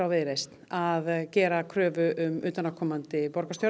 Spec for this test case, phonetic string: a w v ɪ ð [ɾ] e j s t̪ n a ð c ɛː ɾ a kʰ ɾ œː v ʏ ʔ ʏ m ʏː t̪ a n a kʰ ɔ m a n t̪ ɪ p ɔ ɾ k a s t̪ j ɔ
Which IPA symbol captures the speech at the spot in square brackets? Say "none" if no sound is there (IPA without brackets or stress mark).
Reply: ɾ